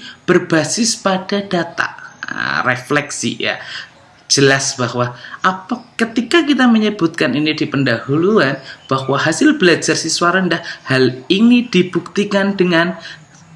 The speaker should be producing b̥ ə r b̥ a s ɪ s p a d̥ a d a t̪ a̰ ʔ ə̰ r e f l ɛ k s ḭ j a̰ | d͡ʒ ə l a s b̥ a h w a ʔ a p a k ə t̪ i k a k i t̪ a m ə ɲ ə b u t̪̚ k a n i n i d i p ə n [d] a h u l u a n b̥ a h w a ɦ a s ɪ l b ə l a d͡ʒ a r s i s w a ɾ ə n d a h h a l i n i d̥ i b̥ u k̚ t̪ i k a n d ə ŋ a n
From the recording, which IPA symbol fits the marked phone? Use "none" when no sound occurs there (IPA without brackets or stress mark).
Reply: d